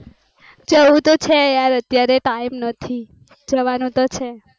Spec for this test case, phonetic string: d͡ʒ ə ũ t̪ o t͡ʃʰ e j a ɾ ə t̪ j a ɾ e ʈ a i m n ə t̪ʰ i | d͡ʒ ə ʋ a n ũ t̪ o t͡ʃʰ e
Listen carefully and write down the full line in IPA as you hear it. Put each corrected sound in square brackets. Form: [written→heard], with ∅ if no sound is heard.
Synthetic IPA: d͡ʒ ə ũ t̪ o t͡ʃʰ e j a ɾ ə t̪ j a ɾ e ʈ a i m n ə t̪ʰ i | d͡ʒ ə ʋ a n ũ t̪ o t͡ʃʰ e